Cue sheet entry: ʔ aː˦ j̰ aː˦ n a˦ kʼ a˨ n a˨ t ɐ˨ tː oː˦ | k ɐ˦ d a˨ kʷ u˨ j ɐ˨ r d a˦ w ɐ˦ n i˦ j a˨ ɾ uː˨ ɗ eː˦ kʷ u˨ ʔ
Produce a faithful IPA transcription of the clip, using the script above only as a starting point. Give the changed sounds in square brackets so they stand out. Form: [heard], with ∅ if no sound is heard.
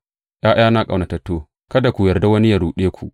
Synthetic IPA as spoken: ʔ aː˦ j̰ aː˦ n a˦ kʼ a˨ n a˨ t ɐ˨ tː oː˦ | k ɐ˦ d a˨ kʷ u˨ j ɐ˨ r d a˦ w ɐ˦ n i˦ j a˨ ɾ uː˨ ɗ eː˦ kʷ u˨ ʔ